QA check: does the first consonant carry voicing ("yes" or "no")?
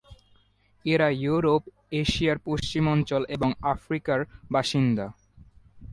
yes